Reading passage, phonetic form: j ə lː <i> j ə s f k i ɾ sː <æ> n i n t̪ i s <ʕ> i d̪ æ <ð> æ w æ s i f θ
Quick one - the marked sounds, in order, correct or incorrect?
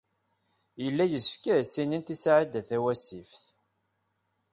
incorrect: æ, incorrect: i, correct, incorrect: θ

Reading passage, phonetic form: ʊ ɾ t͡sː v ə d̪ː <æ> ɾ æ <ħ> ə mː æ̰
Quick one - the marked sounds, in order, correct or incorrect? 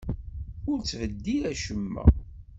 incorrect: i, incorrect: ʃ

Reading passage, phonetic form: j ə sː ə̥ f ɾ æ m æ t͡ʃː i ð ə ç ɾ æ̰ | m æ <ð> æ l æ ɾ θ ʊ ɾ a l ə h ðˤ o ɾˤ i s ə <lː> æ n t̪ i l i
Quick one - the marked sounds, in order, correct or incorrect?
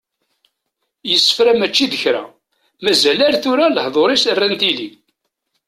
incorrect: z, incorrect: rː

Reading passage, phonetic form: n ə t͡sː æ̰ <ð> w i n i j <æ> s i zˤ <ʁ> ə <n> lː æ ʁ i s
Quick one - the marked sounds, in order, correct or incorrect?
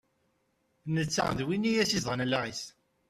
correct, correct, correct, correct

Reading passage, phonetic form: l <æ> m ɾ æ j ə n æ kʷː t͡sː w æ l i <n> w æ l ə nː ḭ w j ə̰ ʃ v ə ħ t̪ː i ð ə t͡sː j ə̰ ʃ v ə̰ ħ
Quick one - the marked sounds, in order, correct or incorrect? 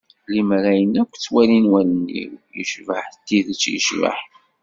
incorrect: i, correct

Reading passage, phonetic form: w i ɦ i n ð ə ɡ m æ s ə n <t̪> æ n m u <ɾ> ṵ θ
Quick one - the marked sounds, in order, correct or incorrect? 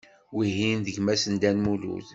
incorrect: d̪, incorrect: l

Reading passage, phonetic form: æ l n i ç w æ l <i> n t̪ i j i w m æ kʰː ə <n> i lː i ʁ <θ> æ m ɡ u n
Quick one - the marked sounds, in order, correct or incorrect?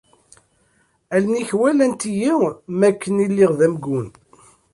incorrect: æ, correct, incorrect: ð

